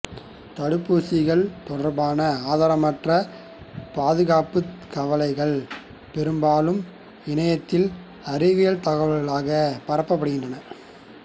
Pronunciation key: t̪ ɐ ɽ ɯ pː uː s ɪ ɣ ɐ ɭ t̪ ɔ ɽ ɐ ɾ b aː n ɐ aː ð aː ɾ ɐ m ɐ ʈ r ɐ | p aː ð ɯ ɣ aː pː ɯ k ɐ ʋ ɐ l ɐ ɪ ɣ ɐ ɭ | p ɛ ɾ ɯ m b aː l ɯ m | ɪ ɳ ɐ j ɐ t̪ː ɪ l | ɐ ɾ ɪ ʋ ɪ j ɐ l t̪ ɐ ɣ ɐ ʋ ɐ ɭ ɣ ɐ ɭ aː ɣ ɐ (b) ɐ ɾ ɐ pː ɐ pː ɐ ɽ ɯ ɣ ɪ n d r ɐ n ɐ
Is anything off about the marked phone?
yes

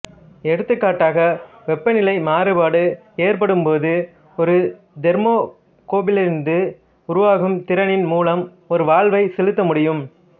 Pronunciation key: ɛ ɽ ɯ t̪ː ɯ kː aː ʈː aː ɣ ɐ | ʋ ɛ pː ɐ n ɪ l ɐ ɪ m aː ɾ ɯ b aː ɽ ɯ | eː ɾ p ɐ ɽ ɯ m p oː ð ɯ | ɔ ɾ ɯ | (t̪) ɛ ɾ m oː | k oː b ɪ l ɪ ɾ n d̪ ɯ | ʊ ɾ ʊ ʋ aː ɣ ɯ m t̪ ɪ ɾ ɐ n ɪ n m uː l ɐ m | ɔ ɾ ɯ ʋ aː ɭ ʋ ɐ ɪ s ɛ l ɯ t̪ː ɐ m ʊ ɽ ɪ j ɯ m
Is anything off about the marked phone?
yes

